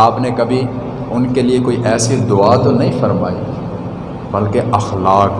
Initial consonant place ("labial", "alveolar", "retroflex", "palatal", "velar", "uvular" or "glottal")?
labial